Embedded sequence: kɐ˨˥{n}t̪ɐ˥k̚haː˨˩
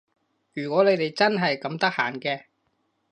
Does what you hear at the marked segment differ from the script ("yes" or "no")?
yes